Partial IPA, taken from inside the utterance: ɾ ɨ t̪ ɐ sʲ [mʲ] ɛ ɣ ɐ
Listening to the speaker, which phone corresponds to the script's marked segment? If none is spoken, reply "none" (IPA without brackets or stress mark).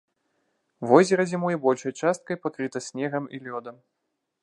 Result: nʲ